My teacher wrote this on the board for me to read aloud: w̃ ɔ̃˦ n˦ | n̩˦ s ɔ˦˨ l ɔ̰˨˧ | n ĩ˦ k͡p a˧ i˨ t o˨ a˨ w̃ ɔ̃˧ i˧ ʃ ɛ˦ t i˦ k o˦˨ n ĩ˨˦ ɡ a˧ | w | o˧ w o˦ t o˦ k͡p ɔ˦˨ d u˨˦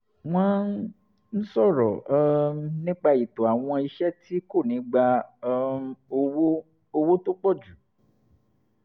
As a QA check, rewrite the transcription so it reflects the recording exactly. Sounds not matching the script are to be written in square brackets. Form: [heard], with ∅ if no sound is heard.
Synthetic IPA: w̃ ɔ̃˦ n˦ | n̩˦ s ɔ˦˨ [ɾ] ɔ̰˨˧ | n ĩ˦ k͡p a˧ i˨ t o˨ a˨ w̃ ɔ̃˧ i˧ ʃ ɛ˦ t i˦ k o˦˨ n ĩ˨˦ [ɡ͡b] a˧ | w | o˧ w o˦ t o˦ k͡p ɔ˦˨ [d͡ʒ] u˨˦